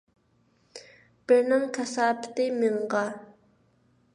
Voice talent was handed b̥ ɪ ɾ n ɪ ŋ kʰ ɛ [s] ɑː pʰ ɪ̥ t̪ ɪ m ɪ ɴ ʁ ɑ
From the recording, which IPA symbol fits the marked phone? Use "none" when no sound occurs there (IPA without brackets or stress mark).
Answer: s